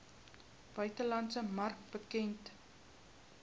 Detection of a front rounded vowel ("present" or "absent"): present